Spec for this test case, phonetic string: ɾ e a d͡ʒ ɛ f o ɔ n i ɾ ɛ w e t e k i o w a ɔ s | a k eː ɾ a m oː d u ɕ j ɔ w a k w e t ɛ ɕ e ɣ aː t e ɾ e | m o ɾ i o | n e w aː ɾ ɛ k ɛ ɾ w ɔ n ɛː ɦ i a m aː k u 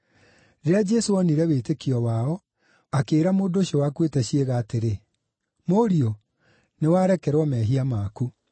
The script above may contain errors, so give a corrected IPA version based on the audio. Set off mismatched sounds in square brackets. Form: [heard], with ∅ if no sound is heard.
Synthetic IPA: ɾ e a d͡ʒ ɛ [s] o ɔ n i ɾ ɛ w e t e k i [ɔ] w a ɔ [∅] | a k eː ɾ a m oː d [o] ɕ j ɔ w a k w e t ɛ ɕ e ɣ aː t e ɾ e | m o ɾ i o | n e w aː ɾ ɛ k ɛ ɾ w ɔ [m] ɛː ɦ i a m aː k u